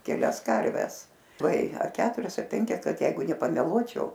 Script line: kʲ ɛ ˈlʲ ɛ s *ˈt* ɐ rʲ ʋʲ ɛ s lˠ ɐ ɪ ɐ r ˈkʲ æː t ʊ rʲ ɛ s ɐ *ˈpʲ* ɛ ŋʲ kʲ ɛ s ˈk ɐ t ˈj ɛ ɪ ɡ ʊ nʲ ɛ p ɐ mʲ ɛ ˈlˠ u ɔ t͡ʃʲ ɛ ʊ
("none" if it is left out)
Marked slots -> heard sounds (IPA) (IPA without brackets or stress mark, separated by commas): k, pʲ